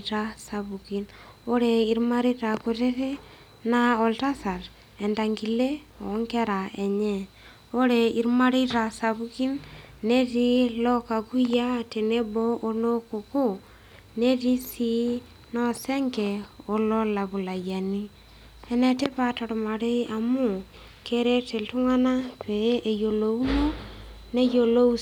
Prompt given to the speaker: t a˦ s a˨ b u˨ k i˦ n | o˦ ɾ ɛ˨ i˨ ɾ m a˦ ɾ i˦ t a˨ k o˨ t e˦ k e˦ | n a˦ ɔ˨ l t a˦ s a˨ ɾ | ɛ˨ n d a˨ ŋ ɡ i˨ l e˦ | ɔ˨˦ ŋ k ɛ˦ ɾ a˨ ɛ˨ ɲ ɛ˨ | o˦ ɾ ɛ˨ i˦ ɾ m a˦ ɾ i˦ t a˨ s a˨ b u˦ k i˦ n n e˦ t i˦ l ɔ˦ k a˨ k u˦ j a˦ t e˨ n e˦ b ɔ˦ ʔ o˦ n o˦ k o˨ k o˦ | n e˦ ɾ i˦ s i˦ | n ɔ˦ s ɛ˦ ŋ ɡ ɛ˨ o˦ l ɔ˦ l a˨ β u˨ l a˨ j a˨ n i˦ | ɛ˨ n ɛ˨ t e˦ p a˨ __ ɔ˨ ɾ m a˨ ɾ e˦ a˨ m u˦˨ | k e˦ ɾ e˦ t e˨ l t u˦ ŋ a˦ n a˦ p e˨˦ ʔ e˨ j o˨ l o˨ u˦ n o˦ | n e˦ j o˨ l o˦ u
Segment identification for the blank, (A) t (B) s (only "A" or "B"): A